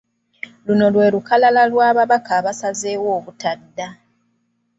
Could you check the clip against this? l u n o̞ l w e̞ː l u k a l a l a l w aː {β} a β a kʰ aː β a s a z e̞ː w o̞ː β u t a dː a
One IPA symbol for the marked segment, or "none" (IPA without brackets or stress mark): β